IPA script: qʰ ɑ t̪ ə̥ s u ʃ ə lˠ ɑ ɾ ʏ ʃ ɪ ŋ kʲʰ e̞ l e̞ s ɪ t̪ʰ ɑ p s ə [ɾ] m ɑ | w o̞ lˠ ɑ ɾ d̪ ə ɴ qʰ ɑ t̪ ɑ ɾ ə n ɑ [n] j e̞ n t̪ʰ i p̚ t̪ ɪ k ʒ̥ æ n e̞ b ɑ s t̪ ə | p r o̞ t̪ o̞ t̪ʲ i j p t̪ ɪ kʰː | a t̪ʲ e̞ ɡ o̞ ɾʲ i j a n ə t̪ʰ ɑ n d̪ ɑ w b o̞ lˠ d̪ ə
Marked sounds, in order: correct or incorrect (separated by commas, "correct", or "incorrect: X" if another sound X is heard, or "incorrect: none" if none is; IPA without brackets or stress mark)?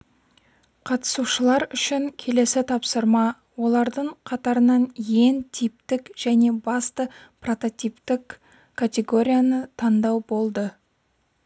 correct, correct